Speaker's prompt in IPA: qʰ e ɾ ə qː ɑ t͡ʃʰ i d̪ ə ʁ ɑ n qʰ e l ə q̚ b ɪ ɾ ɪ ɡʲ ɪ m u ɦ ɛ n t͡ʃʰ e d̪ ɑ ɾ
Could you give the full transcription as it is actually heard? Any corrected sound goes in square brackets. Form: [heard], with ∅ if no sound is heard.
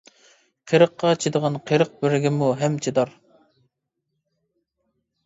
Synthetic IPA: qʰ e ɾ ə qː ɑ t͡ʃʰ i d̪ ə ʁ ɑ n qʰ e [ɾ] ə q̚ b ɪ ɾ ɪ ɡʲ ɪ m u ɦ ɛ [m] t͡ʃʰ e d̪ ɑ ɾ